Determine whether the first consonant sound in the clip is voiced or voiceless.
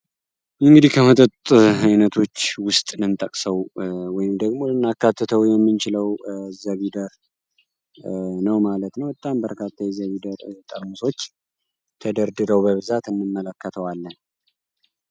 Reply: voiced